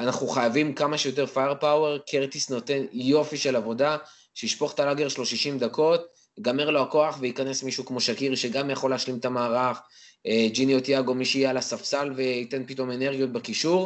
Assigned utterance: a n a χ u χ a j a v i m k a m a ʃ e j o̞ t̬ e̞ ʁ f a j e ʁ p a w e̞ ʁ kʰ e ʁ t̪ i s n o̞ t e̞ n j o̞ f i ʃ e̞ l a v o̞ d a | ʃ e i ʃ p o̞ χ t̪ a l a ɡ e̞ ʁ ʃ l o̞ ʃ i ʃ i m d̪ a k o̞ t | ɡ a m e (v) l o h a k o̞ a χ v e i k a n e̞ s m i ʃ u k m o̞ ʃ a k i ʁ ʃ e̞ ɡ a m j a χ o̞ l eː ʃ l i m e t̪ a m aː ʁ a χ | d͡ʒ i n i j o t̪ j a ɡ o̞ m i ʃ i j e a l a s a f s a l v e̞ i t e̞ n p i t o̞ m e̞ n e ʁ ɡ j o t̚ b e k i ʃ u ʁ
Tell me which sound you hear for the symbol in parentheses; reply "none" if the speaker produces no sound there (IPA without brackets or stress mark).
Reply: ʁ